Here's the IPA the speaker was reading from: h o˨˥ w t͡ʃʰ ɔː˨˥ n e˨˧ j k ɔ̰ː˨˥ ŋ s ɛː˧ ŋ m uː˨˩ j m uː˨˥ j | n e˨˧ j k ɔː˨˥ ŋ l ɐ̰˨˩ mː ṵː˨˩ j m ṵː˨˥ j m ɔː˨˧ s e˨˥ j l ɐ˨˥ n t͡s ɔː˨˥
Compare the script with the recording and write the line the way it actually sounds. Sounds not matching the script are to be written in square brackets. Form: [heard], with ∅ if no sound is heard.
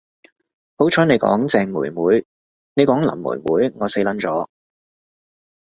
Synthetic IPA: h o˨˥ w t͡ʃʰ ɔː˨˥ n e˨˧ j k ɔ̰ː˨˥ ŋ [t͡s] ɛː˧ ŋ m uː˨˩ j m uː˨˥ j | n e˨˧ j k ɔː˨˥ ŋ l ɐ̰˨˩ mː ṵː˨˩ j m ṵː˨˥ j [ŋ] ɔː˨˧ s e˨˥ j l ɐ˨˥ n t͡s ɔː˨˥